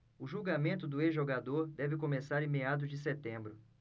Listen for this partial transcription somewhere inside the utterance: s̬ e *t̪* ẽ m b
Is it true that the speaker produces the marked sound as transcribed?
yes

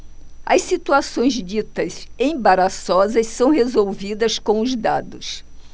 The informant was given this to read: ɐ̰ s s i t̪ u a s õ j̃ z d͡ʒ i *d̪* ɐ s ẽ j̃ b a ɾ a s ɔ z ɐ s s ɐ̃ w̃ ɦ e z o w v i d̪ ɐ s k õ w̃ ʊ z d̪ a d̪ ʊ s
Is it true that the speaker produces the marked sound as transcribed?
no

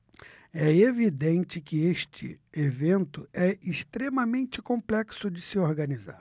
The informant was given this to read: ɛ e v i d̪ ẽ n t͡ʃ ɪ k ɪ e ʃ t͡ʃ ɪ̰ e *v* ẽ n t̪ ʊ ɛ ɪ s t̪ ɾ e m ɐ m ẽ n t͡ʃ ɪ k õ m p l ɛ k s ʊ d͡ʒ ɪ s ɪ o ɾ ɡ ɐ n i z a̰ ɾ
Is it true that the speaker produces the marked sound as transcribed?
yes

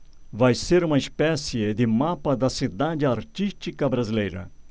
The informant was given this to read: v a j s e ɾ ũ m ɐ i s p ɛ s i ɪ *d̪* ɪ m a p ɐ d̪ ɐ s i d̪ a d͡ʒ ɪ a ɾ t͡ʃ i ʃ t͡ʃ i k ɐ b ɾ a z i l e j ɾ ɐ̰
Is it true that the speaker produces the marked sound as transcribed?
yes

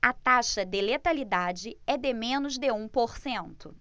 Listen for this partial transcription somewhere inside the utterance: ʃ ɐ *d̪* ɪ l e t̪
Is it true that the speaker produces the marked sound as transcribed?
yes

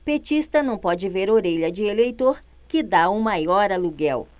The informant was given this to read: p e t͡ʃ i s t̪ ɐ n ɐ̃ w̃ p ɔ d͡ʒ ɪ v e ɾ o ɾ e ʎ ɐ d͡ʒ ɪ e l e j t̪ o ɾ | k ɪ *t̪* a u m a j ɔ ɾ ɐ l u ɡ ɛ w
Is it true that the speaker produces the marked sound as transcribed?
no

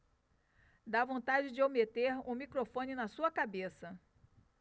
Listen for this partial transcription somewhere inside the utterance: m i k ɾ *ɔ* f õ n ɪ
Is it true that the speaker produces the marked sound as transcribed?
no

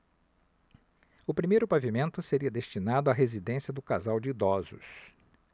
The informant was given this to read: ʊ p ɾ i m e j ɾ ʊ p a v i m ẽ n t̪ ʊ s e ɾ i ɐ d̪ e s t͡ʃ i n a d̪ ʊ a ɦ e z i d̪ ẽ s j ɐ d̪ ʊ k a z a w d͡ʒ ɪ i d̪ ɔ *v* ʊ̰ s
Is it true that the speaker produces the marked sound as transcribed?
no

